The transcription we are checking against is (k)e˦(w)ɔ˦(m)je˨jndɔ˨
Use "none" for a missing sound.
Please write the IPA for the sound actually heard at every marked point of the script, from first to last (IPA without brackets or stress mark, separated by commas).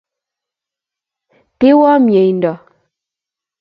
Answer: t, w, m